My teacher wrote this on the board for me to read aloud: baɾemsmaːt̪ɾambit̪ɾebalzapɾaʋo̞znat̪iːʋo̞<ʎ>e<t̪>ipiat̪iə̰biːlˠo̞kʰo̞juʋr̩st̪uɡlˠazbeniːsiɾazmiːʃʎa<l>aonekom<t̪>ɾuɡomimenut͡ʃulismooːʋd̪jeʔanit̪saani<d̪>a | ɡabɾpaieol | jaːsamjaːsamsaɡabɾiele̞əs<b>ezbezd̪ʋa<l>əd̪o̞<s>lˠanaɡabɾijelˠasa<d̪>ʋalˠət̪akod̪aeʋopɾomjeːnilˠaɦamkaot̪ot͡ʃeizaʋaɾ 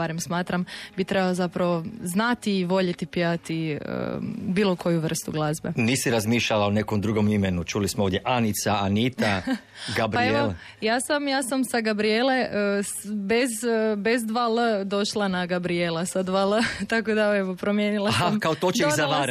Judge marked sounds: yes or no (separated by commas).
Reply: yes, yes, yes, no, no, yes, yes, no, yes